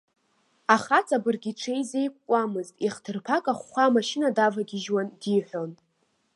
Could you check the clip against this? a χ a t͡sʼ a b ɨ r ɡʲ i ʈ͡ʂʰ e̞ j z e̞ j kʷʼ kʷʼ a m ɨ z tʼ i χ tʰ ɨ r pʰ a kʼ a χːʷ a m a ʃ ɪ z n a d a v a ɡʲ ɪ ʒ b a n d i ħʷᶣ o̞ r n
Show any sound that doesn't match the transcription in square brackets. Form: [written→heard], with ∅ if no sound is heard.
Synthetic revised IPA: a χ a t͡sʼ a b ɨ r ɡʲ i ʈ͡ʂʰ e̞ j z e̞ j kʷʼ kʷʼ a m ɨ z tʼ i χ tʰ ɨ r pʰ a kʼ a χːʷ a m a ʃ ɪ [z→∅] n a d a v a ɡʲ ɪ ʒ [b→w] a n d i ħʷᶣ o̞ [r→∅] n